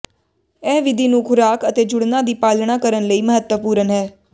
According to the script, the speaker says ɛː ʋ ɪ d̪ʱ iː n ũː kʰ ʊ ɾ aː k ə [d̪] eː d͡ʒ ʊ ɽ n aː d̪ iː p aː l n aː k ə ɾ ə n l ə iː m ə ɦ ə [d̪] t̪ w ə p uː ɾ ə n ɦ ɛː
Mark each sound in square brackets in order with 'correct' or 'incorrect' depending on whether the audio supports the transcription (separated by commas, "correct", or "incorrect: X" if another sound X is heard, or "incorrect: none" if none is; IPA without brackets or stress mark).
incorrect: t̪, incorrect: none